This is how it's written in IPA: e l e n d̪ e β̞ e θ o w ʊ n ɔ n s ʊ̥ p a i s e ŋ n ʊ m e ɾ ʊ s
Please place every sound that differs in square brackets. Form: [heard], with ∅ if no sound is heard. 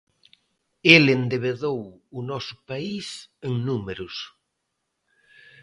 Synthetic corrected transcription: e l e n d̪ e β̞ e [ð] o w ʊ n ɔ [∅] s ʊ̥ p a i s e ŋ n [u] m e ɾ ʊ s